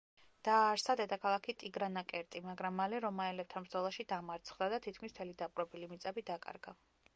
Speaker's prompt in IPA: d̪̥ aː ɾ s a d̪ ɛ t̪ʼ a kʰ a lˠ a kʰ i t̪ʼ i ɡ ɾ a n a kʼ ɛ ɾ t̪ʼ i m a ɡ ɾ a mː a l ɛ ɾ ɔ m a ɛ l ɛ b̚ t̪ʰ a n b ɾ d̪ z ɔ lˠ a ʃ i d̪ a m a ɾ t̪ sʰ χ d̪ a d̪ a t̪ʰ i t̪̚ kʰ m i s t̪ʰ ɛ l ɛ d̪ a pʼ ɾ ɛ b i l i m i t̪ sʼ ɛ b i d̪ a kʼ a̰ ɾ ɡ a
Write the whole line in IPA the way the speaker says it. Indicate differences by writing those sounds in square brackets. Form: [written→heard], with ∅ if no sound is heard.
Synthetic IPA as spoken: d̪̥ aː ɾ s a d̪ ɛ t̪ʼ a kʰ a lˠ a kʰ i t̪ʼ i ɡ ɾ a n a kʼ ɛ ɾ t̪ʼ i m a ɡ ɾ a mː a l ɛ ɾ ɔ m a ɛ l ɛ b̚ t̪ʰ a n b ɾ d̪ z ɔ lˠ a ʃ i d̪ a m a ɾ t̪ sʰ χ d̪ a d̪ a t̪ʰ i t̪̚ kʰ m i s t̪ʰ ɛ l [ɛ→i] d̪ a pʼ ɾ ɛ b i l i m i t̪ sʼ ɛ b i d̪ a kʼ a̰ ɾ ɡ a